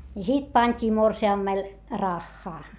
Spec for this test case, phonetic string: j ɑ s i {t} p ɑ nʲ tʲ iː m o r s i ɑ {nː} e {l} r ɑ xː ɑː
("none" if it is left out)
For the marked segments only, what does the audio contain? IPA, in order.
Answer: t, mː, l

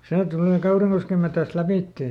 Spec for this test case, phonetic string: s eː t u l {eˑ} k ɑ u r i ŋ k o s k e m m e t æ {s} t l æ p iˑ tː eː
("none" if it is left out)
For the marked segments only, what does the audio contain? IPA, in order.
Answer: eˑ, s

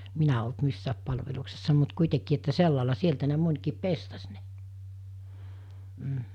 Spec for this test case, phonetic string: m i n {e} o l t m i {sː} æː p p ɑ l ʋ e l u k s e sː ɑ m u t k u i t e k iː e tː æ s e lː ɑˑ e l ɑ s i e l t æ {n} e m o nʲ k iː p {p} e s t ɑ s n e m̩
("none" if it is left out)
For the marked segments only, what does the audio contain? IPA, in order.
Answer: æ, sː, n, p

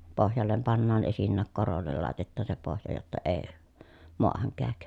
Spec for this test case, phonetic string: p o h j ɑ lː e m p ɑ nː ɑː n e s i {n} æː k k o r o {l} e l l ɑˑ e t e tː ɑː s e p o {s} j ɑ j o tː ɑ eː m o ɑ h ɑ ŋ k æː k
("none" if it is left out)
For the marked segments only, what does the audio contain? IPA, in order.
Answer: nː, lː, h

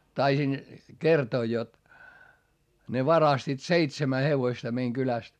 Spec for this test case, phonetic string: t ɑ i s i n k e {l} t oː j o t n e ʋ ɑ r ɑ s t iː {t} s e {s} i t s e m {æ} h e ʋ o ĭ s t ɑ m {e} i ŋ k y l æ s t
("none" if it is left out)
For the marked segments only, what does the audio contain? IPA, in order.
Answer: r, t, none, æ, e

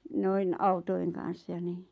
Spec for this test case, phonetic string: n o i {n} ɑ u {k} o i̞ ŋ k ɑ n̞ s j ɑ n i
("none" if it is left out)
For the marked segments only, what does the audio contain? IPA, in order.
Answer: n, t

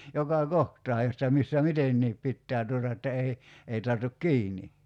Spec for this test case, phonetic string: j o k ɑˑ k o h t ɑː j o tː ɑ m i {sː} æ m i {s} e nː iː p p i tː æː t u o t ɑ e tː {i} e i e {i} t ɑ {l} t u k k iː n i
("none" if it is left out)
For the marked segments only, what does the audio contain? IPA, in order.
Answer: sː, t, æ, i, r

